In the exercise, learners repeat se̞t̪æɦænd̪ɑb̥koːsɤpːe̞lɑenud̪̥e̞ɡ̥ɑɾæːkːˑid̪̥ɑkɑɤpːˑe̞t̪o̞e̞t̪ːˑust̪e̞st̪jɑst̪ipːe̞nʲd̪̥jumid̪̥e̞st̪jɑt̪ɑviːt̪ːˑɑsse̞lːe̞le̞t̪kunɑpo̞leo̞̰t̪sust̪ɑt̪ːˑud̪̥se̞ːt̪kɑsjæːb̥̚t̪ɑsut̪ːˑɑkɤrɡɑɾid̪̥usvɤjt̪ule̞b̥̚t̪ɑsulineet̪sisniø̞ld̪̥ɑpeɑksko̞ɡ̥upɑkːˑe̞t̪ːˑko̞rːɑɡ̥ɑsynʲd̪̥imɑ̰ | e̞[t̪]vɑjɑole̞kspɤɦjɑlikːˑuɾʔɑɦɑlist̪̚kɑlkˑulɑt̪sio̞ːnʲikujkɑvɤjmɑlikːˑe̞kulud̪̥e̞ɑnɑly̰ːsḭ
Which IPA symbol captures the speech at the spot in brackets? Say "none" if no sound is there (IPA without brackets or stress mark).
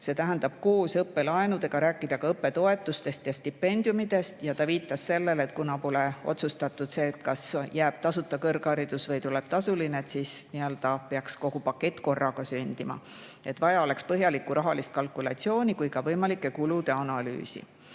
t̪